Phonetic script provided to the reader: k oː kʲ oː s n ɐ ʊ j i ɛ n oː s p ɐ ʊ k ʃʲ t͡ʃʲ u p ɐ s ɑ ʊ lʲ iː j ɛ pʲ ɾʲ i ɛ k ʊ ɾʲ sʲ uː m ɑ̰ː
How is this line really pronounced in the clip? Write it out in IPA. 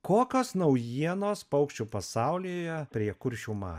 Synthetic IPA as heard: k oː kʲ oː s n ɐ ʊ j i ɛ n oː s p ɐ ʊ k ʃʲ t͡ʃʲ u p ɐ s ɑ ʊ lʲ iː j ɛ pʲ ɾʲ i ɛ k ʊ ɾʲ ʃʲ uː m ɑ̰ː